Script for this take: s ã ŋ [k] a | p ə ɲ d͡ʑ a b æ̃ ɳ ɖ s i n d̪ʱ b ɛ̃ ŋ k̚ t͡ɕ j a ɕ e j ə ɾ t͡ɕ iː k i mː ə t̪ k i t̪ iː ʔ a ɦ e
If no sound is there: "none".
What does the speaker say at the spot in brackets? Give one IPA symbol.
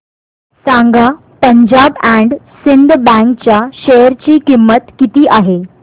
ɡ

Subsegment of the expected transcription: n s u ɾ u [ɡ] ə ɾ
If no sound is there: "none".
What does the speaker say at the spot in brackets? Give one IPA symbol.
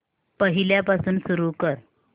k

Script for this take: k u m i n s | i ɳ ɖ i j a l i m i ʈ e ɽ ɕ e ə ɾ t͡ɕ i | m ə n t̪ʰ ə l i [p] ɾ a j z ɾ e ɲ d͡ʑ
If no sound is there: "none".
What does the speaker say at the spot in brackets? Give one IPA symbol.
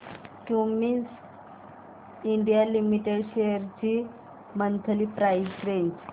p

